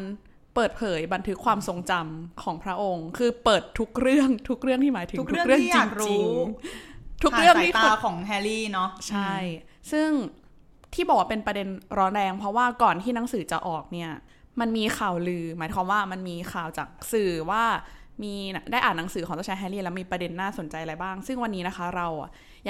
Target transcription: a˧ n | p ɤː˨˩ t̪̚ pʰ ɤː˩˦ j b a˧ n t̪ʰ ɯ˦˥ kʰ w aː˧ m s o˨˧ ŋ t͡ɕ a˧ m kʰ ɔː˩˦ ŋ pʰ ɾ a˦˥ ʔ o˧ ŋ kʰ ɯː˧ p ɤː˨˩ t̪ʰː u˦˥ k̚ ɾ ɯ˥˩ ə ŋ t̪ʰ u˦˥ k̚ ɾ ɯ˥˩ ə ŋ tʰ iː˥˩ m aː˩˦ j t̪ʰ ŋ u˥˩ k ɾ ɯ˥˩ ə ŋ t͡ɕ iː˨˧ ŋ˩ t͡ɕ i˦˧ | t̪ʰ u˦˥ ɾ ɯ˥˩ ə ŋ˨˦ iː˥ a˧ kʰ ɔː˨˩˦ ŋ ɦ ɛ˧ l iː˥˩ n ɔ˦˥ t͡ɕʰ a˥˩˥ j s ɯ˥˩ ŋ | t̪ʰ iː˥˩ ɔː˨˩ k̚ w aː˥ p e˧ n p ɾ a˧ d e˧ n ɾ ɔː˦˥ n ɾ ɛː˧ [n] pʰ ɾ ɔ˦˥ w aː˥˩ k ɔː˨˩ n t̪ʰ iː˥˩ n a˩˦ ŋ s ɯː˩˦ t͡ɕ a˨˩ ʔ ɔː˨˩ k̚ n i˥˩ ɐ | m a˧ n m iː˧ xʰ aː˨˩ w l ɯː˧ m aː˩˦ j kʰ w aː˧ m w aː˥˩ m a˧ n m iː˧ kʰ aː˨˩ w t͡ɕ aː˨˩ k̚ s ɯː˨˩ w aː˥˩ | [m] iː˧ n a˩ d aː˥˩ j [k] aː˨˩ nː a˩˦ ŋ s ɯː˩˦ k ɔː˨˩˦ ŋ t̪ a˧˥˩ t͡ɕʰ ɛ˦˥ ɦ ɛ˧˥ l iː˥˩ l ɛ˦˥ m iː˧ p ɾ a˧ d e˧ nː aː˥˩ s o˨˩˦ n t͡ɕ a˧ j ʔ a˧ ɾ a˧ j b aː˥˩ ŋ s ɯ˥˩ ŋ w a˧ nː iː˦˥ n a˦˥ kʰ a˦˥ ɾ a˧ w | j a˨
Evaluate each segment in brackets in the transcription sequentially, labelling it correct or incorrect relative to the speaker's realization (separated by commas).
incorrect, correct, incorrect